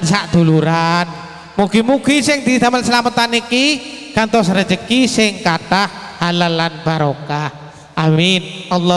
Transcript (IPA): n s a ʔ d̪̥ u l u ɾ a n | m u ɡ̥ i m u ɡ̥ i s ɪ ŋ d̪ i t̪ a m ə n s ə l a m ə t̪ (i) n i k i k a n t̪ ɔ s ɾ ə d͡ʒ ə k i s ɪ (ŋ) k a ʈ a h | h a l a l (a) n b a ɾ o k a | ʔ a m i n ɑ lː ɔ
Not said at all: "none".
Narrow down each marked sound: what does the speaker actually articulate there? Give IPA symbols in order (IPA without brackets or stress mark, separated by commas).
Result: a, ŋ, a